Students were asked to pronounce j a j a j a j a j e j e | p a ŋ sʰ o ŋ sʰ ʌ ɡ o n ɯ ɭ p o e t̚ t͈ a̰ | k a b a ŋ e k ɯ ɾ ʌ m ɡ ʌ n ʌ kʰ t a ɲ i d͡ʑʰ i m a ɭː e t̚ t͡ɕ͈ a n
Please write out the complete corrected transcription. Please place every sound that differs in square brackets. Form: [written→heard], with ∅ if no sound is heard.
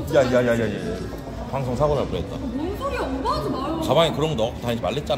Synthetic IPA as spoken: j a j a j a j a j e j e | p a ŋ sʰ o ŋ sʰ [ʌ→a] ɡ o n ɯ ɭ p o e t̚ t͈ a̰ | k a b a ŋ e k ɯ ɾ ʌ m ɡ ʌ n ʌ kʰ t a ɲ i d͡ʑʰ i m a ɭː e t̚ t͡ɕ͈ a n